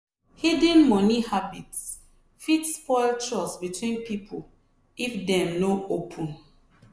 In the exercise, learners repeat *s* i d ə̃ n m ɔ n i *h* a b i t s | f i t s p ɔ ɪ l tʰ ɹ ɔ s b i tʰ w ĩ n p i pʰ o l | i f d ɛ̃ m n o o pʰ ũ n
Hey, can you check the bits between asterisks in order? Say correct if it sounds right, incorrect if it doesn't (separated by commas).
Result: incorrect, correct